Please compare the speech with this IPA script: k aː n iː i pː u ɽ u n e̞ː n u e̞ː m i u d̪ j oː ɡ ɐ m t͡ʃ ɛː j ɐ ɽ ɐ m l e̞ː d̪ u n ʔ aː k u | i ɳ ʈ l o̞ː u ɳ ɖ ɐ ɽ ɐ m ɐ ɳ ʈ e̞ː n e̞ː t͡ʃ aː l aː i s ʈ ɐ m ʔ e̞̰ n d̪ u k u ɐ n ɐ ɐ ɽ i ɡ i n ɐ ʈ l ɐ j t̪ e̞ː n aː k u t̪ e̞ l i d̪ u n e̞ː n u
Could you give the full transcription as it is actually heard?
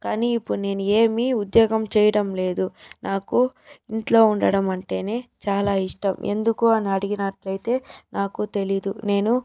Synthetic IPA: k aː n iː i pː u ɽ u n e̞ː n u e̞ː m i u d̪ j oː ɡ ɐ m t͡ʃ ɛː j ɐ ɽ ɐ m l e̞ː d̪ u n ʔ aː k u | i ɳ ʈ l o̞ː u ɳ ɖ ɐ ɽ ɐ m ɐ ɳ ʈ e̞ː n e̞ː t͡ʃ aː l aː i ʂ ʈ ɐ m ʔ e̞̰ n d̪ u k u ɐ n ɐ ɐ ɽ i ɡ i n ɐ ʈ l ɐ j t̪ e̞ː n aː k u t̪ e̞ l i d̪ u n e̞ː n u